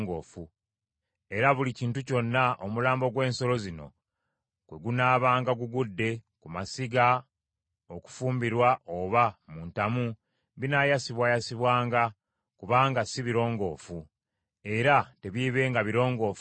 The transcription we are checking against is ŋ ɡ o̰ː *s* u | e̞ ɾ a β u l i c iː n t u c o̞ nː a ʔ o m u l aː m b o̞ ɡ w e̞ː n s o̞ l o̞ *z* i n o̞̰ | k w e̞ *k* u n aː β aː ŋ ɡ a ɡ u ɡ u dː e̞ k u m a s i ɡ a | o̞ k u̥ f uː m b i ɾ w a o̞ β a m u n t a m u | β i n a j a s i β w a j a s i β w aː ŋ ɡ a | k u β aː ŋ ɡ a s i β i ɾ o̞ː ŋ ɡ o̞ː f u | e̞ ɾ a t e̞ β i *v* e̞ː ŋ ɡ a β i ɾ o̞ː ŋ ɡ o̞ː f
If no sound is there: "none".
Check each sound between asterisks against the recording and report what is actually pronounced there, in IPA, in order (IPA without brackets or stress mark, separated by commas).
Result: f, z, ɡ, β